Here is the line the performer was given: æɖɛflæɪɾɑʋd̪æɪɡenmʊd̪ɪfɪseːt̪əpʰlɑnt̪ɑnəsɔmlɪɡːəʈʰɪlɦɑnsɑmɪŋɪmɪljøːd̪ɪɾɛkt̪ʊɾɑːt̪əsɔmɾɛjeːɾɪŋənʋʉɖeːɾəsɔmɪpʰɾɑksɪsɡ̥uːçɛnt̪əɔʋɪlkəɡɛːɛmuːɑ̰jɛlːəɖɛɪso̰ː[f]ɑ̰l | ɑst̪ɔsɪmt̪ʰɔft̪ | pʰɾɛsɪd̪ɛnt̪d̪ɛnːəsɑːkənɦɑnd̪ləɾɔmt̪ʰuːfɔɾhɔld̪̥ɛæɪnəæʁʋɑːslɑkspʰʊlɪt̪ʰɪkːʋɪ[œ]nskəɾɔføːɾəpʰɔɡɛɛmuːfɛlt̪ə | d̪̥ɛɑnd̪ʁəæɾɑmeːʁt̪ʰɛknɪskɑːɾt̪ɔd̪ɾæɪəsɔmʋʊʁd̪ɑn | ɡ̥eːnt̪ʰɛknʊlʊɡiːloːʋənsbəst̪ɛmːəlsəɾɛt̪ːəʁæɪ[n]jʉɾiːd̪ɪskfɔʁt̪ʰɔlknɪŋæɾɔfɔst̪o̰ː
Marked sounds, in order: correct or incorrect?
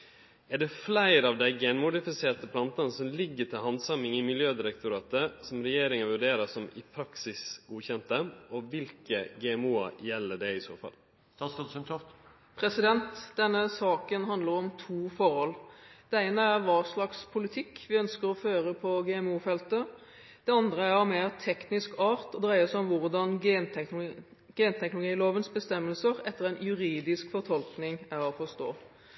correct, correct, correct

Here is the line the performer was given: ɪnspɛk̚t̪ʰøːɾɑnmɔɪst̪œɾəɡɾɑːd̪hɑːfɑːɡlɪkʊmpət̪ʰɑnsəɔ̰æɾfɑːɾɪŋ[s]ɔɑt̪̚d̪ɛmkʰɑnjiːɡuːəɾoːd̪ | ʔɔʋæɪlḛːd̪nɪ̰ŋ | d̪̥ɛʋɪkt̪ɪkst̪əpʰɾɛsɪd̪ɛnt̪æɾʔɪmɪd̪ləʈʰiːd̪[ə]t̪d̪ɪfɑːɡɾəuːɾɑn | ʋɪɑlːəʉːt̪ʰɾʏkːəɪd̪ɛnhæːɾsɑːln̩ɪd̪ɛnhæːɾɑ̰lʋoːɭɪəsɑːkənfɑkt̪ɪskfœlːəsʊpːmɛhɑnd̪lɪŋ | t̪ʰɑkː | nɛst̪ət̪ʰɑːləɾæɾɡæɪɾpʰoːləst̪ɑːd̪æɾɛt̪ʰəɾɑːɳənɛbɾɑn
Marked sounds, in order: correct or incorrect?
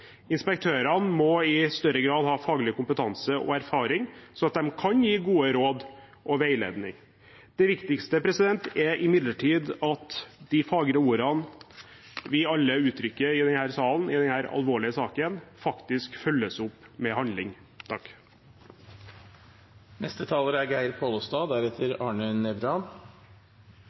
correct, incorrect: ɑ

